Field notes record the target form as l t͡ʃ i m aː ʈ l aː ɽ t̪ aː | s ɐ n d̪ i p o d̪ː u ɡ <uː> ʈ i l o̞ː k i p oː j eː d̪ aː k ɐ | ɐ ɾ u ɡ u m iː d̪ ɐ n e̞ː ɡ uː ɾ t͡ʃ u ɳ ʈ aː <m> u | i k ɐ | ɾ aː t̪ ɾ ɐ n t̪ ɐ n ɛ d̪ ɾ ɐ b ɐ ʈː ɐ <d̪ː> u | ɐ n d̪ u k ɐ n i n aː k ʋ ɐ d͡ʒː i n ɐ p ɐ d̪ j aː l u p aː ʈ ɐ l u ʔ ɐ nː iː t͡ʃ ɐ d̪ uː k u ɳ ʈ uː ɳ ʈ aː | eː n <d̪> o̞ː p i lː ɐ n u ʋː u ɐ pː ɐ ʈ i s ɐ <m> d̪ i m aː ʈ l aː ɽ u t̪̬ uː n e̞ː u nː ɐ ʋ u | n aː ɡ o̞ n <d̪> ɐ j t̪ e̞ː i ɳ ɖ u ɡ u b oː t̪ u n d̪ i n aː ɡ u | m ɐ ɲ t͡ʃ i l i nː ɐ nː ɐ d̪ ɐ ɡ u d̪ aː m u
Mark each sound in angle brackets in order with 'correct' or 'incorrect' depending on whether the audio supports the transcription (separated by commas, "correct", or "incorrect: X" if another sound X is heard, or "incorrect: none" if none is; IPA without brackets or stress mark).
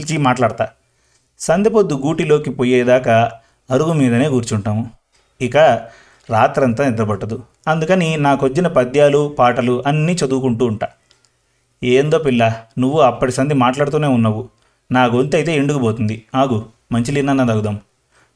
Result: correct, correct, incorrect: d̪, correct, incorrect: n, incorrect: t̪